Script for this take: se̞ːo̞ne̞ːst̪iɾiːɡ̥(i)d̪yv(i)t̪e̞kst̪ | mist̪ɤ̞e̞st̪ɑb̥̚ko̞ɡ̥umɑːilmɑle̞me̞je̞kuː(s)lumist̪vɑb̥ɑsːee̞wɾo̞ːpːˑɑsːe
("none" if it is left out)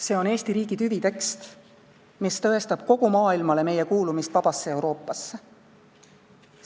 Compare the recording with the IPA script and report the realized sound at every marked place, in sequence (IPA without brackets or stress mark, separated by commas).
i, i, none